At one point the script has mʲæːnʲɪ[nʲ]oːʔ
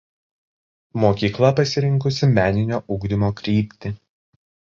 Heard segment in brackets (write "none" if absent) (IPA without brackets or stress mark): nʲ